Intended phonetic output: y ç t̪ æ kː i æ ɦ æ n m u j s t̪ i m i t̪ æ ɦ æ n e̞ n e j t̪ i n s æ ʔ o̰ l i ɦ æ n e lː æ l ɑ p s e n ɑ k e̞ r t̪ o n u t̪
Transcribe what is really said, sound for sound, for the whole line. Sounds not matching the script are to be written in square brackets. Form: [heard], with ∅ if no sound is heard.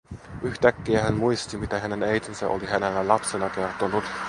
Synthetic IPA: y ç t̪ æ kː i æ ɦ æ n m u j s t̪ i m i t̪ æ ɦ æ n e̞ n e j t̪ i n s æ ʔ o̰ l i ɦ æ n e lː æ l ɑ p s e n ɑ k e̞ r t̪ o n u t̪